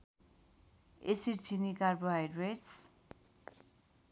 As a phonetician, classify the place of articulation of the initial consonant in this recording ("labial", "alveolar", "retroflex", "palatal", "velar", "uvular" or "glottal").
alveolar